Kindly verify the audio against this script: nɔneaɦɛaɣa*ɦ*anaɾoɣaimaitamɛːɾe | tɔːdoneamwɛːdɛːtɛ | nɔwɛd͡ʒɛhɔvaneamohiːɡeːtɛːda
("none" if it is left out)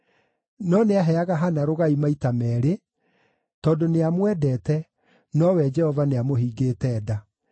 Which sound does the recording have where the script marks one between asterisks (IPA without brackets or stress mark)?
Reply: ɦ